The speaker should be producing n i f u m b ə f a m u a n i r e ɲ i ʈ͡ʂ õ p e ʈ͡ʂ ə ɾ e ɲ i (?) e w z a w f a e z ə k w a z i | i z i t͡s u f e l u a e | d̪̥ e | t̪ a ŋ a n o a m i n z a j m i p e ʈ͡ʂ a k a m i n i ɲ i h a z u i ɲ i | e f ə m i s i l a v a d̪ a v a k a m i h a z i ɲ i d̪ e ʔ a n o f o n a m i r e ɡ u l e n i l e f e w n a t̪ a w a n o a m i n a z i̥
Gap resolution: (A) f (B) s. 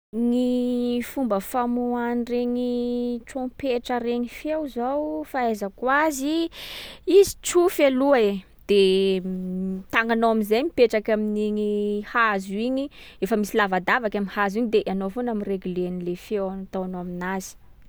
A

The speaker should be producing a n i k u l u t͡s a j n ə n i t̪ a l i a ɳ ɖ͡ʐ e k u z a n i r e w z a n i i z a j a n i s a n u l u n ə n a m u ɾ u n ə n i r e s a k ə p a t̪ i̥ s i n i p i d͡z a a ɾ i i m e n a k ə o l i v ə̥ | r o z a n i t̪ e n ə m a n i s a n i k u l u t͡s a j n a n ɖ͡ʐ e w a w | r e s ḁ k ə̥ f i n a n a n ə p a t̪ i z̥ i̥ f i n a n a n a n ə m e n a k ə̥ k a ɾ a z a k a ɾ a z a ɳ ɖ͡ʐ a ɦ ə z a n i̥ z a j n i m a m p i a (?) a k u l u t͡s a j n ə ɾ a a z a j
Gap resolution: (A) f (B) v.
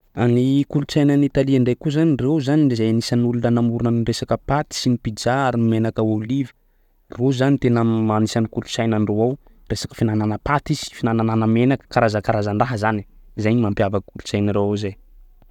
B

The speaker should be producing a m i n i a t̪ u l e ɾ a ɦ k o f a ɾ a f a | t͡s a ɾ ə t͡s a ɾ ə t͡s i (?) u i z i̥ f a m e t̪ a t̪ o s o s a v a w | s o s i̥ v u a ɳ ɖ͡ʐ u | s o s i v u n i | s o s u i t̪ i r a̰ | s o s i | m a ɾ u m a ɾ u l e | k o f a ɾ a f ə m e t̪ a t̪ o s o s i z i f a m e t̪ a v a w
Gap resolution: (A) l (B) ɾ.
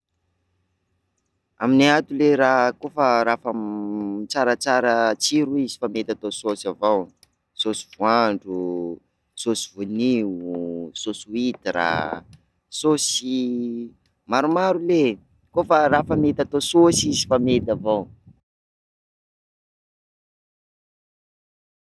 B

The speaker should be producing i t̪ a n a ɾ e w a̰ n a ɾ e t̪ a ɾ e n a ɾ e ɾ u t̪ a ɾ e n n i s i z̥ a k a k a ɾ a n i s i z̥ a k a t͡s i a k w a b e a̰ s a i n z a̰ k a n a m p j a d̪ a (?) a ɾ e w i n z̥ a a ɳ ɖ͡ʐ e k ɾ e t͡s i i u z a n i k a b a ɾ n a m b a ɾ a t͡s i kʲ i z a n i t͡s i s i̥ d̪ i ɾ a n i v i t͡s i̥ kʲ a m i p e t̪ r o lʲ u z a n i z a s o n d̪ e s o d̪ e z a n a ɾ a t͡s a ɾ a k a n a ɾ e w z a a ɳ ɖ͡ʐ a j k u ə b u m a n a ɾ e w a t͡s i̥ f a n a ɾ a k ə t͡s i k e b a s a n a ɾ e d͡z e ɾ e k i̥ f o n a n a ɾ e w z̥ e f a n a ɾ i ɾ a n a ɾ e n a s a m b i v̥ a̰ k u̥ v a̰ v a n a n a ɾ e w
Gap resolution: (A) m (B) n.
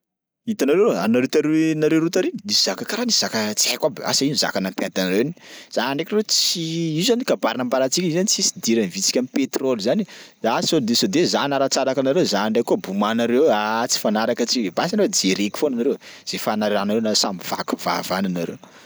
B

